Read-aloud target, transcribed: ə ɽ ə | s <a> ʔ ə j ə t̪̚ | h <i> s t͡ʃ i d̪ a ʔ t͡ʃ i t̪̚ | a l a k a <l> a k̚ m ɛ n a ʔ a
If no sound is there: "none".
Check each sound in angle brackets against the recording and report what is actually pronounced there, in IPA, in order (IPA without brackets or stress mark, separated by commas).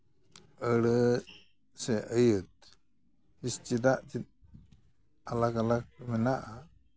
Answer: ɛ, i, l